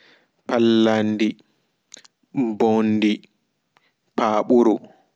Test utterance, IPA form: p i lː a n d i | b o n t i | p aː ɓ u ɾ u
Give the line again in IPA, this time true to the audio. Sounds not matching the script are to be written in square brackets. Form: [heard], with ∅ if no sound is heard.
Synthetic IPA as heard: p [a] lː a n d i | b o n [d] i | p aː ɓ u ɾ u